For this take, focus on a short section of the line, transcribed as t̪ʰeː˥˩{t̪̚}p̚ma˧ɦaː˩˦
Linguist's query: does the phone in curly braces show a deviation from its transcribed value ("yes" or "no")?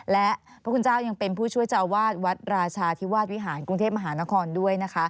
yes